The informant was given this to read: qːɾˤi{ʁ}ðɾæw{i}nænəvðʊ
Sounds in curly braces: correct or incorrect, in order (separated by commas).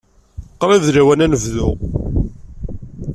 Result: incorrect, incorrect